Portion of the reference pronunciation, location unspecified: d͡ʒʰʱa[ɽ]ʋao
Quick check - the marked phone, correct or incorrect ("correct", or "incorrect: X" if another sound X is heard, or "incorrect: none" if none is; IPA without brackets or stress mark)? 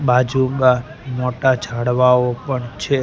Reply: correct